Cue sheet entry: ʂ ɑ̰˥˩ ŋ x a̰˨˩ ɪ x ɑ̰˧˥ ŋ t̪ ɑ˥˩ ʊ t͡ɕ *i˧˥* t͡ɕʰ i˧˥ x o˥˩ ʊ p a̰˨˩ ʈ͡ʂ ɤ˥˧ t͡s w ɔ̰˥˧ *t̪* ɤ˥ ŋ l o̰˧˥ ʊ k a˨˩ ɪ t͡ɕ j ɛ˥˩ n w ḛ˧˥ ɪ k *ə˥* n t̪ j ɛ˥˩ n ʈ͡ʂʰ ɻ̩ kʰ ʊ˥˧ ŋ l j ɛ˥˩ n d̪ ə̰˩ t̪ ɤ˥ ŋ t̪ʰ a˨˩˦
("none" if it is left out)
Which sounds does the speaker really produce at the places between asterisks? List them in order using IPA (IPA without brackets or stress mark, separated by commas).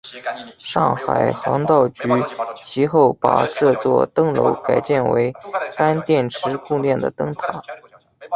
y˧˥, t̪, a˥